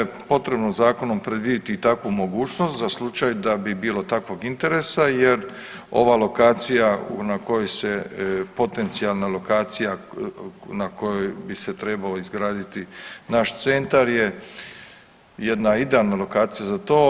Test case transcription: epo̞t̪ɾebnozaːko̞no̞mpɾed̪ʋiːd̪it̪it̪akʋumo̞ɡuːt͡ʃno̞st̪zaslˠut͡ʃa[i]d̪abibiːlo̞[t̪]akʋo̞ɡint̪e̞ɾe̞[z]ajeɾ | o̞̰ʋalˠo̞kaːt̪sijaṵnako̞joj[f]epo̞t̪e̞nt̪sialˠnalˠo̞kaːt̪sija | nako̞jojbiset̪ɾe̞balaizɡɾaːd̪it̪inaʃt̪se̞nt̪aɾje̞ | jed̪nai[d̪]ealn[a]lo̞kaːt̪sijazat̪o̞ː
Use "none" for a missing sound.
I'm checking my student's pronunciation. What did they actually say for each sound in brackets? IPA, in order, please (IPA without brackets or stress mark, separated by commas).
j, t̪, s, s, d̪, a